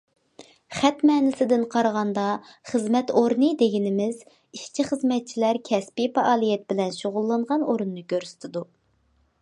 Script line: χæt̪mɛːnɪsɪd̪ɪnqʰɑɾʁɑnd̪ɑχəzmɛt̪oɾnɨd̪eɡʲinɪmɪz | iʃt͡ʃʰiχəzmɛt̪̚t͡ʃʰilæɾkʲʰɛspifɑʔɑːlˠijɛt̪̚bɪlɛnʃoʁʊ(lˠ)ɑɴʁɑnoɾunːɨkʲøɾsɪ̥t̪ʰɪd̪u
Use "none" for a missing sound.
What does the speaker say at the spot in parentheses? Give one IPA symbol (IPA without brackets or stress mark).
lˠː